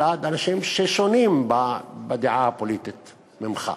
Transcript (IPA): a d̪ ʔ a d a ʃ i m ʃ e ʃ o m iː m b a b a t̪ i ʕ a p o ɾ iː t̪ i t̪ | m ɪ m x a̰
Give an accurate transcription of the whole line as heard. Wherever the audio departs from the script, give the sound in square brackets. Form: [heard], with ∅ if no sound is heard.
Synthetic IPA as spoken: a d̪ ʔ a [n] a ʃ i m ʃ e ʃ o [n] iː m b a b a [d̪] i ʕ a p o [l] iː t̪ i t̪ | m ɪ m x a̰